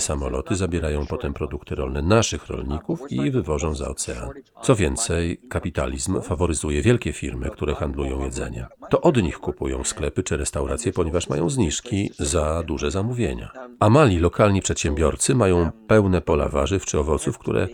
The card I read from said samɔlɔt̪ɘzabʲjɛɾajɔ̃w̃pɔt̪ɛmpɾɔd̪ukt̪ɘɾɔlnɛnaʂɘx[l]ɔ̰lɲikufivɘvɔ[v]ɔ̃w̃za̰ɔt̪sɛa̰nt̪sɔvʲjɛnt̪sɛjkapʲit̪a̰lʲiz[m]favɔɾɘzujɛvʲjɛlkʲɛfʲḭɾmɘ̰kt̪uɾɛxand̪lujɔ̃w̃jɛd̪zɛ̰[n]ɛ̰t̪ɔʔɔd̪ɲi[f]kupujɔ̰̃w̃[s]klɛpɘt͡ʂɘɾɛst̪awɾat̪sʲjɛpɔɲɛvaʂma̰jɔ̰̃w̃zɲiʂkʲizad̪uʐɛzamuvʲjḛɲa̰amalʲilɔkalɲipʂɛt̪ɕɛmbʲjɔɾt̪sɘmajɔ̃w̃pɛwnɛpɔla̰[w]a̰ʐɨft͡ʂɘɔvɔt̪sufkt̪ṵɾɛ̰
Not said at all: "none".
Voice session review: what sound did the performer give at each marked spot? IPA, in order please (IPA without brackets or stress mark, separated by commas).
ɾ, ʐ, m, ɲ, x, s, v